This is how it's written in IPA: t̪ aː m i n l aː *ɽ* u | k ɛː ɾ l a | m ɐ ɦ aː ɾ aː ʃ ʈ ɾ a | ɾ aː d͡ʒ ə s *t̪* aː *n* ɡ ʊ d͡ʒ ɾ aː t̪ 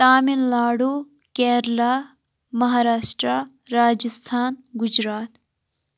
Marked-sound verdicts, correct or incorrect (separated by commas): correct, incorrect, correct